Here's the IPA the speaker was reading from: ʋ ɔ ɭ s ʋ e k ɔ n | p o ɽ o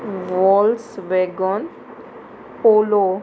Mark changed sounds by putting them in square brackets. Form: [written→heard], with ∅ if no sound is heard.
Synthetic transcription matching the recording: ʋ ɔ [ɭ→l] s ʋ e [k→ɡ] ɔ n | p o [ɽ→l] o

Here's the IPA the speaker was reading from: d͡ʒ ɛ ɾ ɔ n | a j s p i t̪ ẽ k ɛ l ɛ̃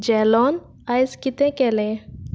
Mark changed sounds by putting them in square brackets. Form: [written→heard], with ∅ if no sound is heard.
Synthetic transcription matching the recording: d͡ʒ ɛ [ɾ→l] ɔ n | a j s [p→k] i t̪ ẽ k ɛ l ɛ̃

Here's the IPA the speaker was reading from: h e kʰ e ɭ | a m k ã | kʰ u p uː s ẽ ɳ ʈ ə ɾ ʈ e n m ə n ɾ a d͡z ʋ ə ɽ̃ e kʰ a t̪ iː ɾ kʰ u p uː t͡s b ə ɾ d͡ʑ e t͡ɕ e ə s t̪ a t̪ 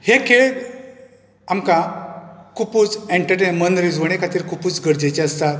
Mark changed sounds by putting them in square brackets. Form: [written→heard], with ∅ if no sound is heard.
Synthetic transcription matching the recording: h e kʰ e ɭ | a m k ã | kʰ u p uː [s→t͡s] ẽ ɳ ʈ ə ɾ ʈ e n m ə n ɾ [a→i] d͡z ʋ ə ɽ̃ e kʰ a t̪ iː ɾ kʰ u p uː t͡s [b→ɡ] ə ɾ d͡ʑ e t͡ɕ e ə s t̪ a t̪

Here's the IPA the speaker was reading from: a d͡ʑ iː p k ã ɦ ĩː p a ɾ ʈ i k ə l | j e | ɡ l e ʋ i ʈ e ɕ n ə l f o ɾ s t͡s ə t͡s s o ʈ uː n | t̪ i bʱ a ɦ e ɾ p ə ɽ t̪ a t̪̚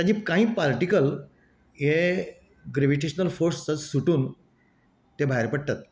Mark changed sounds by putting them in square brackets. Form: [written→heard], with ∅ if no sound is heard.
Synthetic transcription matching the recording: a d͡ʑ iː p k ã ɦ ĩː p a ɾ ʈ i k ə l | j e | ɡ [l→ɾ] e ʋ i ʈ e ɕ n ə l f o ɾ s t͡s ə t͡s s [o→u] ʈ uː n | t̪ [i→e] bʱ a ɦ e ɾ p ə ɽ t̪ a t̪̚

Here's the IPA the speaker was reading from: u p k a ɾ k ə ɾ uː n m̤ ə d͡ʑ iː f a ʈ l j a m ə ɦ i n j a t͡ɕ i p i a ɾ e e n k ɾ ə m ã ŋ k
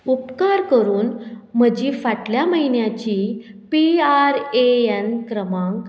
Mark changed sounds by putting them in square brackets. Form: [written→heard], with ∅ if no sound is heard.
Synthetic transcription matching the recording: u p k a ɾ k ə ɾ uː n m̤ ə d͡ʑ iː f a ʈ l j a m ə ɦ i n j a t͡ɕ i p i a ɾ e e n k ɾ ə m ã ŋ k

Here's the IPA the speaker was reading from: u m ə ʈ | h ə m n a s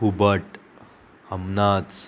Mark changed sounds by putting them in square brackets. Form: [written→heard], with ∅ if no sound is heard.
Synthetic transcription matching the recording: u [m→b] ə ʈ | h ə m n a [s→t͡s]

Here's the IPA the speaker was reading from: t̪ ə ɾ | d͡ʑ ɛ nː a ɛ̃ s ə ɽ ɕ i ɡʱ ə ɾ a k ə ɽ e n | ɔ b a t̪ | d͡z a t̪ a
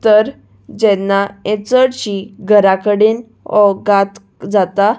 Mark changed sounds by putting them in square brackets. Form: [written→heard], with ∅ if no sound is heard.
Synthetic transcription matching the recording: t̪ ə ɾ | d͡ʑ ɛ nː a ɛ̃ [s→t͡s] ə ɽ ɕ i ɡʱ ə ɾ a k ə ɽ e n | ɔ [b→ɡ] a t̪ | d͡z a t̪ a

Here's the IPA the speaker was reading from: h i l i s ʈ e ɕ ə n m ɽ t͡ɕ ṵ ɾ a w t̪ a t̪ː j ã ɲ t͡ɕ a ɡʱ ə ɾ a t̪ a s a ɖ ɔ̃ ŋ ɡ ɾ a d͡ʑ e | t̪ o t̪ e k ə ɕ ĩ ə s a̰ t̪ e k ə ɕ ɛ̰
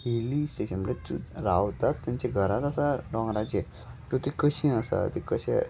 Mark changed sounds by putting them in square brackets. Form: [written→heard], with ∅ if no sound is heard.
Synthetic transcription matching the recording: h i l i s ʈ e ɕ ə n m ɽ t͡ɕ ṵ ɾ a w t̪ a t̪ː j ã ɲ t͡ɕ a ɡʱ ə ɾ a t̪ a s a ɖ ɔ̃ ŋ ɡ ɾ a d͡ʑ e | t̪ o t̪ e k ə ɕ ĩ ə s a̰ t̪ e k ə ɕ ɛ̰

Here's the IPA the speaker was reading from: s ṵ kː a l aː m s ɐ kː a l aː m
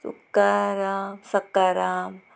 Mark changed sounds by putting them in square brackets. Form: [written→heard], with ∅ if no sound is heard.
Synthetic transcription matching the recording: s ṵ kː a [l→ɾ] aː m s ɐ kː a [l→ɾ] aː m

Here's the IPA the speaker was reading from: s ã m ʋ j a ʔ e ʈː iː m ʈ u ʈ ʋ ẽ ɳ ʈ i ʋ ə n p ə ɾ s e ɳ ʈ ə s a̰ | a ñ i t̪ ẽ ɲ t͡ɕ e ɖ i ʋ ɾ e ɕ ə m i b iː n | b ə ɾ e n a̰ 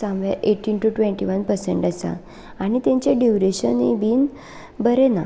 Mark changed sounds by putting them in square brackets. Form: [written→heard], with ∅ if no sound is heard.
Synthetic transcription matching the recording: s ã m ʋ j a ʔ e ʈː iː [m→n] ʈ u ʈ ʋ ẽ ɳ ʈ i ʋ ə n p ə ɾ s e ɳ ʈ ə s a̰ | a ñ i t̪ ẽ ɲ t͡ɕ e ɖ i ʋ ɾ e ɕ ə [m→n] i b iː n | b ə ɾ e n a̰

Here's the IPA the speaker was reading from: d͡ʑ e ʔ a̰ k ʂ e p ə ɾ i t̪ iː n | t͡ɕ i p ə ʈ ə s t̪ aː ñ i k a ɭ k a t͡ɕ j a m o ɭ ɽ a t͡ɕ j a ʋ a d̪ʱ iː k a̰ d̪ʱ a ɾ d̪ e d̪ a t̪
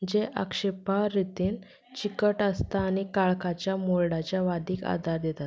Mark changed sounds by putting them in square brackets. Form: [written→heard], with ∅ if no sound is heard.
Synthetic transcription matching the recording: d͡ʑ e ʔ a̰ k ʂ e p [ə→a] ɾ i t̪ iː n | t͡ɕ i [p→k] ə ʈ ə s t̪ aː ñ i k a ɭ k a t͡ɕ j a m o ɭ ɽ a t͡ɕ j a ʋ a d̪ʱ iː k a̰ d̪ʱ a ɾ d̪ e [d̪→t̪] a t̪

